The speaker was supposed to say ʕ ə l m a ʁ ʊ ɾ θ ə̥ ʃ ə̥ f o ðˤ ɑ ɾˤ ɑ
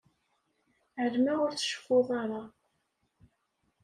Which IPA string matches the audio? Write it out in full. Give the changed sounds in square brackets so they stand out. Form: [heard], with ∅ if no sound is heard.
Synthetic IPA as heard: ʕ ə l m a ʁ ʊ ɾ θ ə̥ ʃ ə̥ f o ðˤ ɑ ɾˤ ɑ